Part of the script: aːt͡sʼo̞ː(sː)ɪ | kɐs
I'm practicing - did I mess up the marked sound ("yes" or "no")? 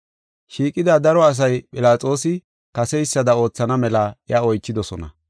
yes